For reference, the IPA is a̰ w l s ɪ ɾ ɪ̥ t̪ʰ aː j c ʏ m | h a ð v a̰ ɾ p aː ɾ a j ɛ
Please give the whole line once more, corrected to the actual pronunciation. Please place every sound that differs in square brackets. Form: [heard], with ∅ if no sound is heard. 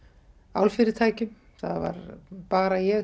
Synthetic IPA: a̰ w l [f] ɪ ɾ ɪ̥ t̪ʰ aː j c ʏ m | [θ] a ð v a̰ ɾ p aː ɾ a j ɛ